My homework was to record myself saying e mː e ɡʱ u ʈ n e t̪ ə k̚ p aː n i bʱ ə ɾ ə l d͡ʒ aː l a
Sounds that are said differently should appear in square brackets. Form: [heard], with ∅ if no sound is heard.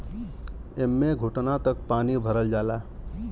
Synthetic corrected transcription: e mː e ɡʱ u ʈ n [a] t̪ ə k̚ p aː n i bʱ ə ɾ ə l d͡ʒ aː l a